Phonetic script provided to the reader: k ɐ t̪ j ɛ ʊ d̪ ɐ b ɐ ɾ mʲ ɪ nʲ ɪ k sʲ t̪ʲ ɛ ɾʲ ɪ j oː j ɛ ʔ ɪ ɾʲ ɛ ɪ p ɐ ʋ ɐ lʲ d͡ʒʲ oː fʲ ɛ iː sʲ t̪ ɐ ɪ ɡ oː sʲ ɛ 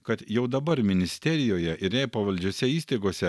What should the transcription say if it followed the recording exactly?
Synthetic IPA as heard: k ɐ t̪ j ɛ ʊ d̪ ɐ b ɐ ɾ mʲ ɪ nʲ ɪ sʲ t̪ʲ ɛ ɾʲ ɪ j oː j ɛ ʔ ɪ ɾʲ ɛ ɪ p ɐ ʋ ɐ lʲ d͡ʒʲ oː sʲ ɛ iː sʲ t̪ ɐ ɪ ɡ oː sʲ ɛ